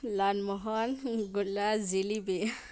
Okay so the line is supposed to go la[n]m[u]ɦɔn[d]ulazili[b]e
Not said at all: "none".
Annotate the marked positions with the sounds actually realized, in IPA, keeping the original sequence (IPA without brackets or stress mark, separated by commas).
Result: n, ɔ, ɡ, b